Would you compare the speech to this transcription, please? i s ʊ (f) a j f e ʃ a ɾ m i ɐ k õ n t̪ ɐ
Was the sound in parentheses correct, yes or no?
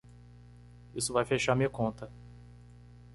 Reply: no